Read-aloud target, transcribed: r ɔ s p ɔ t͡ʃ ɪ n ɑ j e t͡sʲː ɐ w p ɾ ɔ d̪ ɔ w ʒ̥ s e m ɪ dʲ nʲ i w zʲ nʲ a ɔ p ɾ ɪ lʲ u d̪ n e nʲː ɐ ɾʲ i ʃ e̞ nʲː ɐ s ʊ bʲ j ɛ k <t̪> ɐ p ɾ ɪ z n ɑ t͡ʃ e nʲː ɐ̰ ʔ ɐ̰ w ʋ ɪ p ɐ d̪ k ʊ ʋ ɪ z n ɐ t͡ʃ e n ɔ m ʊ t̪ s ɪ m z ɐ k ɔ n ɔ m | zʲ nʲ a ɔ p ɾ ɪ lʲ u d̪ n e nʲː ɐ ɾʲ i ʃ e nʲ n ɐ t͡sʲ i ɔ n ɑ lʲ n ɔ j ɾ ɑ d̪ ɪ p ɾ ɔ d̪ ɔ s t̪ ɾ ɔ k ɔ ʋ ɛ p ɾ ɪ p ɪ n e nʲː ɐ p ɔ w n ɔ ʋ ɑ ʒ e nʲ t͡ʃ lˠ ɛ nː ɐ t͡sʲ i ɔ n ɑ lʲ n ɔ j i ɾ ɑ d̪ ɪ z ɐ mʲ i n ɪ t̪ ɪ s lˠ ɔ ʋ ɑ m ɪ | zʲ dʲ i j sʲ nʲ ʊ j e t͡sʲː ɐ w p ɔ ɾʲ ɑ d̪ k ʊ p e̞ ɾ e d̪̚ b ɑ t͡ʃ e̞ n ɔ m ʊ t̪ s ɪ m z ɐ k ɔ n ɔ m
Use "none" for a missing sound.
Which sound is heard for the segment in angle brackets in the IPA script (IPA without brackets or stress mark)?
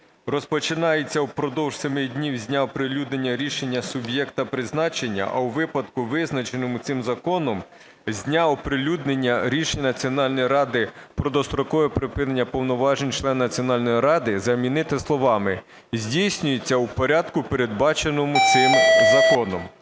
t̪